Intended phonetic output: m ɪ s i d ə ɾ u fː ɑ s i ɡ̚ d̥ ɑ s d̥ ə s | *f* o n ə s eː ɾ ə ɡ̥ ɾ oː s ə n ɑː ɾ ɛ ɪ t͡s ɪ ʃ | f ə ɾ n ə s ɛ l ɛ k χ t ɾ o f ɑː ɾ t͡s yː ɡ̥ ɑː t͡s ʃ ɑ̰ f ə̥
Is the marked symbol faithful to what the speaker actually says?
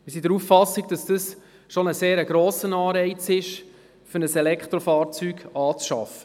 no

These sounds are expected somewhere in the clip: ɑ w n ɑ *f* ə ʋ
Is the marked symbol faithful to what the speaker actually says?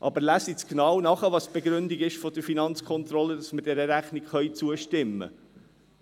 no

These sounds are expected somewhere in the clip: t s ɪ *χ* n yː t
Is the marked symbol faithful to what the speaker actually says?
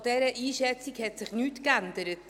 yes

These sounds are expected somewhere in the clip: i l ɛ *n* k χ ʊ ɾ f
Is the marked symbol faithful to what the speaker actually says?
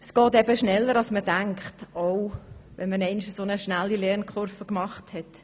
yes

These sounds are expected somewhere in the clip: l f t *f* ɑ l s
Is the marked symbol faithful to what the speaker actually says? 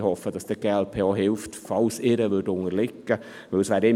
yes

